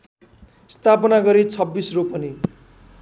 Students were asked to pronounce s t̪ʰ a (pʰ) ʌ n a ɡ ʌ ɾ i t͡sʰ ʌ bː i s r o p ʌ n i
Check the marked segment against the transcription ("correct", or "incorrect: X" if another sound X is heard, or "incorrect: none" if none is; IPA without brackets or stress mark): incorrect: p